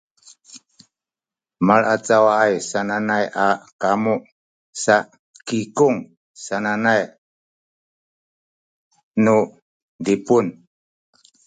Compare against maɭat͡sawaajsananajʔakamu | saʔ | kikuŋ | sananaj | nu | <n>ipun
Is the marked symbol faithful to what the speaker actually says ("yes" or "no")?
no